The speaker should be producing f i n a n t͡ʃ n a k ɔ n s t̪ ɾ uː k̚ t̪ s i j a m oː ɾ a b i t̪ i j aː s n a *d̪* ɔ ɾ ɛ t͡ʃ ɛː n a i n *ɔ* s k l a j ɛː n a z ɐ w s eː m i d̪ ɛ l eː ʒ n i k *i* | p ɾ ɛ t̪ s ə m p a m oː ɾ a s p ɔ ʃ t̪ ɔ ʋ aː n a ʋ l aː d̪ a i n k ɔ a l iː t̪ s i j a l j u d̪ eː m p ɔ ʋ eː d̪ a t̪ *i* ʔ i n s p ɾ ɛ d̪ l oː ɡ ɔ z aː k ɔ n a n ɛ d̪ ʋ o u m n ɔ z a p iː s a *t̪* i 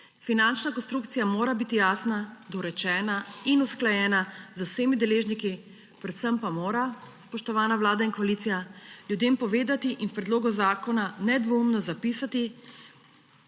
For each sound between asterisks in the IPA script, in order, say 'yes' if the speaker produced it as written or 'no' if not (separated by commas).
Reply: yes, no, yes, yes, yes